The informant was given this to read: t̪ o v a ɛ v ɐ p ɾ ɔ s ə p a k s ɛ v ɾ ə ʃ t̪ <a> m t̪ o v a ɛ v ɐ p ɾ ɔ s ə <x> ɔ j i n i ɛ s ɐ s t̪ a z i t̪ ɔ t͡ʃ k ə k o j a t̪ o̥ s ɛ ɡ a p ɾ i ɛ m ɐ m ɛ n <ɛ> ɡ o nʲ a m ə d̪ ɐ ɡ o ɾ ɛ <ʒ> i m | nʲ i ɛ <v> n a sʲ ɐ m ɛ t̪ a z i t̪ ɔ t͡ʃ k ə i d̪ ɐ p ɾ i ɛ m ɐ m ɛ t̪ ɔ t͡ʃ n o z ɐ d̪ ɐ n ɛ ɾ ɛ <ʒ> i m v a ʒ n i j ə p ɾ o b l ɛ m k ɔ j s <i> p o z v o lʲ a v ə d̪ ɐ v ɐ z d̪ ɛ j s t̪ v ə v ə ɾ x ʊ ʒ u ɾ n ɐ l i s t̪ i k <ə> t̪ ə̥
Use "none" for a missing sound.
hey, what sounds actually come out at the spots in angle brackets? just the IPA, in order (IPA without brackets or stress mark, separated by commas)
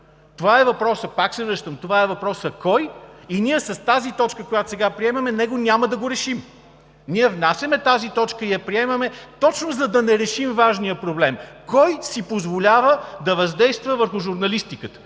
ə, k, ɛ, ʃ, v, ʃ, i, ə